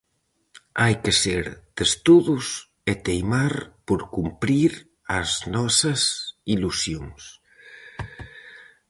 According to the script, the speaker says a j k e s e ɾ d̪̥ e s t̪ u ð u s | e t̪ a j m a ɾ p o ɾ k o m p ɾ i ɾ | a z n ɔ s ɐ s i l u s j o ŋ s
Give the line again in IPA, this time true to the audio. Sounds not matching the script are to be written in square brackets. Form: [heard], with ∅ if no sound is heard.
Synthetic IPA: a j k e s e ɾ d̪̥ e s t̪ u ð u s | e t̪ [e] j m a ɾ p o ɾ k [u] m p ɾ i ɾ | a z n ɔ s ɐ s i l u s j o ŋ s